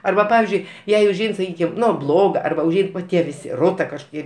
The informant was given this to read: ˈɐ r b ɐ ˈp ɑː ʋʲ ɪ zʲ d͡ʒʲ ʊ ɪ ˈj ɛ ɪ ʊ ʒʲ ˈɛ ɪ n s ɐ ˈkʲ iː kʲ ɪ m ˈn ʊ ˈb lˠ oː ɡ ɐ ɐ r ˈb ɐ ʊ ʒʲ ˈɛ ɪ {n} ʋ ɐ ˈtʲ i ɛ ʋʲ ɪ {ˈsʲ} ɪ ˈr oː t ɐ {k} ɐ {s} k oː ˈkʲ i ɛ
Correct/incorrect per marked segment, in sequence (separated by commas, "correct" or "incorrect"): correct, correct, correct, incorrect